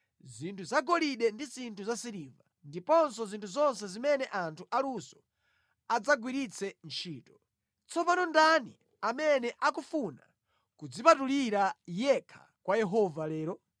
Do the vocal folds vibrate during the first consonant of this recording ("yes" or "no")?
yes